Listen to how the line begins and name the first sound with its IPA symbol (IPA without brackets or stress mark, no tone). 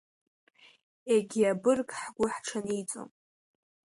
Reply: e